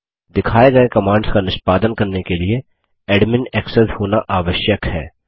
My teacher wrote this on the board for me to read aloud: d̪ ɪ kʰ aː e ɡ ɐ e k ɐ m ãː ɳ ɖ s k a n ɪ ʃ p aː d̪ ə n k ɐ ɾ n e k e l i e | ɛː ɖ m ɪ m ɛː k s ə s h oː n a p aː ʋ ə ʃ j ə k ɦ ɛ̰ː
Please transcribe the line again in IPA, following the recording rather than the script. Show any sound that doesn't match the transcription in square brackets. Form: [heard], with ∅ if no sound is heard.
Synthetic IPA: d̪ ɪ kʰ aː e ɡ ɐ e k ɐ m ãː ɳ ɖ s k a n ɪ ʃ p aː d̪ ə n k ɐ ɾ n e k e l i e | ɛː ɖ m ɪ [n] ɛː k s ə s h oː n a [ʔ] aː ʋ ə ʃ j ə k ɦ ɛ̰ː